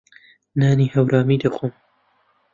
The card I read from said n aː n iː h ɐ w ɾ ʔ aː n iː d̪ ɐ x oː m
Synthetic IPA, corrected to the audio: n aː n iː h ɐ w ɾ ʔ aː m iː d̪ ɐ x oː m